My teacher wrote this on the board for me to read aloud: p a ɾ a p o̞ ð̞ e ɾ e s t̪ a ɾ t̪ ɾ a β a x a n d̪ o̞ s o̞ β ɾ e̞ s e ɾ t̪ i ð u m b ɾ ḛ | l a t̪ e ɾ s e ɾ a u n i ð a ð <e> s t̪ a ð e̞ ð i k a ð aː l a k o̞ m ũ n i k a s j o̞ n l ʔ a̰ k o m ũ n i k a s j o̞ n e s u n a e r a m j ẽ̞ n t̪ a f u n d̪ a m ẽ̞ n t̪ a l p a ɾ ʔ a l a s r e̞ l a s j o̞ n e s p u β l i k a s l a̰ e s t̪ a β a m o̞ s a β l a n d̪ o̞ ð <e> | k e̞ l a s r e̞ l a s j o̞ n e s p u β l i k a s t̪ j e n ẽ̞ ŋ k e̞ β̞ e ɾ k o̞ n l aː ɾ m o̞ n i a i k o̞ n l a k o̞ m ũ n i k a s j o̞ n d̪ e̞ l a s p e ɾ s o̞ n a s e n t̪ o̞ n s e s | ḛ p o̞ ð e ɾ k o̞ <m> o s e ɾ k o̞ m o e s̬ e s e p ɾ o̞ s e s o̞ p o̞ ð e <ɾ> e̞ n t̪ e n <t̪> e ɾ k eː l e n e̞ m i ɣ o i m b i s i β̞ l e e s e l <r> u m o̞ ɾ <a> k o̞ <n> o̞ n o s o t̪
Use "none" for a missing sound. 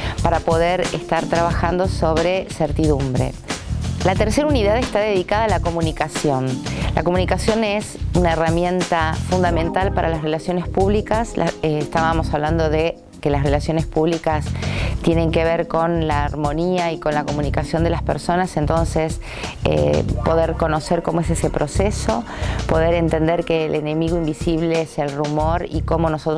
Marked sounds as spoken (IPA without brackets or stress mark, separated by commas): e, e, n, ɾ, d̪, r, i, m